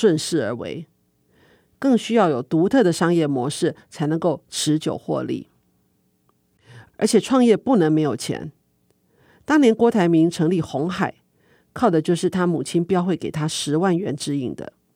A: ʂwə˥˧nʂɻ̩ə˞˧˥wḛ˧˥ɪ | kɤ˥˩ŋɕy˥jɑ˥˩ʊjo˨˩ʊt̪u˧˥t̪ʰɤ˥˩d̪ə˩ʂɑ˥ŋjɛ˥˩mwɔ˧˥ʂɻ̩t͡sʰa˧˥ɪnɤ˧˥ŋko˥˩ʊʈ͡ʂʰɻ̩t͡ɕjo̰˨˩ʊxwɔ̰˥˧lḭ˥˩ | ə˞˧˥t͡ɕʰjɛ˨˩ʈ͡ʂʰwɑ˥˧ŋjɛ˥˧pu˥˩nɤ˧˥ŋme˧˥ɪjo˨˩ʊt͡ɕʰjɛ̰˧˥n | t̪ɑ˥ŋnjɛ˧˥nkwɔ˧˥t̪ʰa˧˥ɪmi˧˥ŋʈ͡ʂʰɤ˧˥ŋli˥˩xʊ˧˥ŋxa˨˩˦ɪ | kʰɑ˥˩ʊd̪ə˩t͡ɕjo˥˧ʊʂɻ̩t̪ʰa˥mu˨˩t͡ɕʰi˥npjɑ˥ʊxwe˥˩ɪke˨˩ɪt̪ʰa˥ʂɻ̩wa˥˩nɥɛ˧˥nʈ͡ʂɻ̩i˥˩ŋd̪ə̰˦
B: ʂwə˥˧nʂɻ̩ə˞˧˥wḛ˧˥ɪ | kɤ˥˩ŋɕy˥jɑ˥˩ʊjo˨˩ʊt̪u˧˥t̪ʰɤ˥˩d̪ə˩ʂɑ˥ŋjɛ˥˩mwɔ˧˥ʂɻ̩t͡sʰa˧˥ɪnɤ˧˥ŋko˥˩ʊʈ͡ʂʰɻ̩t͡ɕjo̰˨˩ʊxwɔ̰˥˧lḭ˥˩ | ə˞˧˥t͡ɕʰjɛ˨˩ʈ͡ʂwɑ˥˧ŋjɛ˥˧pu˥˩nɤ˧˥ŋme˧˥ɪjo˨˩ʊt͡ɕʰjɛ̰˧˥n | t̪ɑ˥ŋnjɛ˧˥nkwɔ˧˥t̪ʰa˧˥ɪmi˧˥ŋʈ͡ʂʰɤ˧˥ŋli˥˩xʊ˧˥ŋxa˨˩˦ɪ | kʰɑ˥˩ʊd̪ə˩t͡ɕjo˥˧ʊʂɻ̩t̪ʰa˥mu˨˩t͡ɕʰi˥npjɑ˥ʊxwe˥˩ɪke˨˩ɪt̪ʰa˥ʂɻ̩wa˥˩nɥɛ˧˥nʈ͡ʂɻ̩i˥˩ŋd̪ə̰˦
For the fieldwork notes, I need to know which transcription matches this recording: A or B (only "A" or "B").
A